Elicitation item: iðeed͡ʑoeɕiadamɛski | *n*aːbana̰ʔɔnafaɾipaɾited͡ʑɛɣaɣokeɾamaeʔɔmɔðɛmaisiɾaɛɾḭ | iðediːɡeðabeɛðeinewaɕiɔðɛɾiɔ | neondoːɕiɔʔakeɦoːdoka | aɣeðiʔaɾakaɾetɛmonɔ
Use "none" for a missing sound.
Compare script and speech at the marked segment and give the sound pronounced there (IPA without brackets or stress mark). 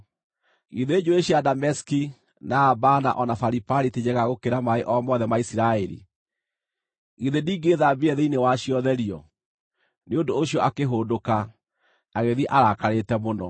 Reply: n